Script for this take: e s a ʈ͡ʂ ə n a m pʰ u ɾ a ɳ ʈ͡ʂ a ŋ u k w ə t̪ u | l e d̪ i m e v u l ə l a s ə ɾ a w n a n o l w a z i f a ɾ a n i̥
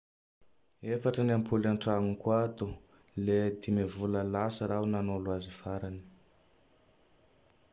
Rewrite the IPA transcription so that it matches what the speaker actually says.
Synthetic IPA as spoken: e f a ʈ͡ʂ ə n a m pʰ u l a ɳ ʈ͡ʂ a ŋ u k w a t̪ u | l e d̪ i m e v u l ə l a s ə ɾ a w n a n o l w a z i f a ɾ a n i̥